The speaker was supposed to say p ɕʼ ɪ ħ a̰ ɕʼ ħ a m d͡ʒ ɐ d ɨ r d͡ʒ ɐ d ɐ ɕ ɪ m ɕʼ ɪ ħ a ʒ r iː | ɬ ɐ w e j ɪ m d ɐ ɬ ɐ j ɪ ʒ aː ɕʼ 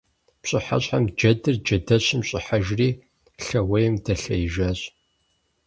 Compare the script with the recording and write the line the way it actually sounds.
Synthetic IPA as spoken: p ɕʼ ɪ ħ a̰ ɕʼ ħ a m d͡ʒ ɐ d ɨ r d͡ʒ ɐ d ɐ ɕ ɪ m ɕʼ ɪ ħ a ʒ r iː | ɬ ɐ w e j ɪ m d ɐ ɬ ɐ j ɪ ʒ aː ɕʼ

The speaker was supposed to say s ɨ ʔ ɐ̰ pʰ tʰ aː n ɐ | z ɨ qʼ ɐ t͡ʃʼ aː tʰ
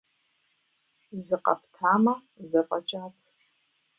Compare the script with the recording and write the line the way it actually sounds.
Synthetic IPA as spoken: z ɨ q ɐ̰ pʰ tʰ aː m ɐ | z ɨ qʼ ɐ t͡ʃʼ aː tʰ

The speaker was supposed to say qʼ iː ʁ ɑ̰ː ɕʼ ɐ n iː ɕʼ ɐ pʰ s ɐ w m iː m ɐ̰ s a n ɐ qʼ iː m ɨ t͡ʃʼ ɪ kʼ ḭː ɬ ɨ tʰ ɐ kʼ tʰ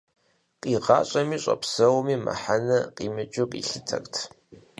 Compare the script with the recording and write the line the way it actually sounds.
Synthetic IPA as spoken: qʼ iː ʁ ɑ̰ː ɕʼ ɐ m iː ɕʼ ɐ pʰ s ɐ w m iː m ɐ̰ ħ a n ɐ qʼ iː m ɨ t͡ʃʼ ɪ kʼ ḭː ɬ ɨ tʰ ɐ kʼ tʰ

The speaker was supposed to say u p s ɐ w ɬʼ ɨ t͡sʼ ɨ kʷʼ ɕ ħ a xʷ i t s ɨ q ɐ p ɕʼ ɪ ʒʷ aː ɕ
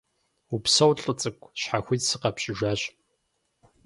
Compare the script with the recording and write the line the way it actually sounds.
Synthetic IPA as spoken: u p s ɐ w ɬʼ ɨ t͡sʼ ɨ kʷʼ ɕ ħ a xʷ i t s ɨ q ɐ p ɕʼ ɪ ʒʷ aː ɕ

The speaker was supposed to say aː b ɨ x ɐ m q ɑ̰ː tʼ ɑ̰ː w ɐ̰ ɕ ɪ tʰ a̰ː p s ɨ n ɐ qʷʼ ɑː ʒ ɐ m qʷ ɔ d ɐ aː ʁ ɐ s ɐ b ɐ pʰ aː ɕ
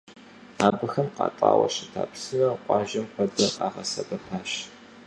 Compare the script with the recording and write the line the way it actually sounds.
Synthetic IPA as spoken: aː b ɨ x ɐ m q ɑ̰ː tʼ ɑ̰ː w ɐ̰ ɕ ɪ tʰ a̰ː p s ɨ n ɐ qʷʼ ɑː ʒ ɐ m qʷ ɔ d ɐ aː ʁ ɐ s ɐ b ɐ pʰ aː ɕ

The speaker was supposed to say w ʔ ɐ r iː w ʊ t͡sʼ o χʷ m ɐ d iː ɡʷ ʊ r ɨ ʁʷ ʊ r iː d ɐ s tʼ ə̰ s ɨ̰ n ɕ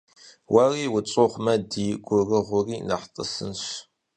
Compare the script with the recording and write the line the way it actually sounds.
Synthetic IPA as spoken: w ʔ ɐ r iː w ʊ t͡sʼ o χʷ m ɐ d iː ɡʷ ʊ r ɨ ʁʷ ʊ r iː n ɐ ħ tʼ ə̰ s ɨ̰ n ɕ

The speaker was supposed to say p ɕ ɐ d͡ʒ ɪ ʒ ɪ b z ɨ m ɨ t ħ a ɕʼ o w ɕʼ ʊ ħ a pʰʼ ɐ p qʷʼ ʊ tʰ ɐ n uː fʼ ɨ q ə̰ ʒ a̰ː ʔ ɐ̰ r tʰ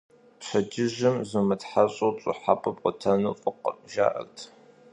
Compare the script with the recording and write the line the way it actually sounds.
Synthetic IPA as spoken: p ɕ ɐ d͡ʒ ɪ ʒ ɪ m z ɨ m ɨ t ħ a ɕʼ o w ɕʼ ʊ ħ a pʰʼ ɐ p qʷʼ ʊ tʰ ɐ n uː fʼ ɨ q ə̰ ʒ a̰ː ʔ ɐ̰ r tʰ

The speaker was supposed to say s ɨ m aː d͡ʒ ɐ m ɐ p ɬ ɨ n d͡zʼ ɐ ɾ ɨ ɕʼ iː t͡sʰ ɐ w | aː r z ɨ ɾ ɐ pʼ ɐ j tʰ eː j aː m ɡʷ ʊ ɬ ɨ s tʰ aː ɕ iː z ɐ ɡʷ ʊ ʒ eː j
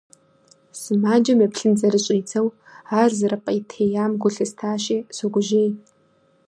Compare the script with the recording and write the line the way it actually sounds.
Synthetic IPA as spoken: s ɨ m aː d͡ʒ ɐ m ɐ p ɬ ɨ n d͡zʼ ɐ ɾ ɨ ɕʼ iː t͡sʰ ɐ w | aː r z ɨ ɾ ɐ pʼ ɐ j tʰ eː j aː m ɡʷ ʊ ɬ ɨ s tʰ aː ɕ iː s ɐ ɡʷ ʊ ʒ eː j

